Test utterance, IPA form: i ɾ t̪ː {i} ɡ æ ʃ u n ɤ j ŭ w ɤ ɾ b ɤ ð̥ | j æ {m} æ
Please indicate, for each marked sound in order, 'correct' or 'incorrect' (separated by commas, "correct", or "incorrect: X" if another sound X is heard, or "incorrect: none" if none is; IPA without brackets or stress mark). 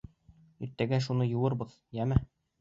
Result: incorrect: æ, correct